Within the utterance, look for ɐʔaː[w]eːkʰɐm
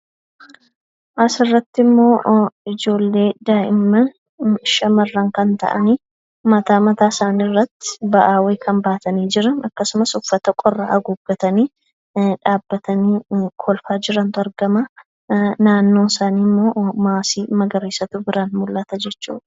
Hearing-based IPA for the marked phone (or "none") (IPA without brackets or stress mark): w